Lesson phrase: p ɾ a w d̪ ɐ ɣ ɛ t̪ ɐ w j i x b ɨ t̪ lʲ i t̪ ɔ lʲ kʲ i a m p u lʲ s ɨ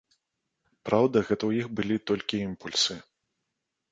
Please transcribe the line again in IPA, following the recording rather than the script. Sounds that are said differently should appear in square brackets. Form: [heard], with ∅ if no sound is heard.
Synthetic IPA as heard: p ɾ a w d̪ ɐ ɣ ɛ t̪ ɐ w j i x b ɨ [∅] lʲ i t̪ ɔ lʲ kʲ i [i] m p u lʲ s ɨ

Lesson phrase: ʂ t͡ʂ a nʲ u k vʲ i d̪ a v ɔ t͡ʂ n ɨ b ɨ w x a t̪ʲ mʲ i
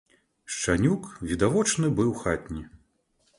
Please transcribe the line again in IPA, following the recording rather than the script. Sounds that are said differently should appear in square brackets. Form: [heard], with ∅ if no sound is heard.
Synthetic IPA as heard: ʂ t͡ʂ a nʲ u k vʲ i d̪ a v ɔ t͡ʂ n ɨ b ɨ w x a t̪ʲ [nʲ] i

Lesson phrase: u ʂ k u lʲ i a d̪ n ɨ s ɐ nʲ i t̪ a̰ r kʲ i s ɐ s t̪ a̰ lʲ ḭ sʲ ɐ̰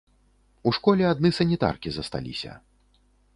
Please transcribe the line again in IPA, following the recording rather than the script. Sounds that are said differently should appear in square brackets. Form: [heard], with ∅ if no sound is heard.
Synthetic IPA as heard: u ʂ k [ɔ] lʲ [ɛ] a d̪ n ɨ s ɐ nʲ i t̪ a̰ r kʲ i [z] ɐ s t̪ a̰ lʲ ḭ sʲ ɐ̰

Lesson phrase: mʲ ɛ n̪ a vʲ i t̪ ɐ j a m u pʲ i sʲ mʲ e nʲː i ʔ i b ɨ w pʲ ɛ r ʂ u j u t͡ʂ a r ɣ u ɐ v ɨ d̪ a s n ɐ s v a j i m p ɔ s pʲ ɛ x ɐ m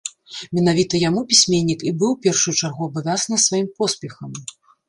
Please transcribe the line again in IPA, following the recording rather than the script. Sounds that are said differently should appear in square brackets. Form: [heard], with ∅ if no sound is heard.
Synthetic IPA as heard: mʲ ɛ n̪ a vʲ i t̪ ɐ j a m u pʲ i sʲ mʲ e nʲː i [k] i b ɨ w pʲ ɛ r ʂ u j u t͡ʂ a r ɣ u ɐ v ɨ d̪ a s n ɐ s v a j i m p ɔ s pʲ ɛ x ɐ m

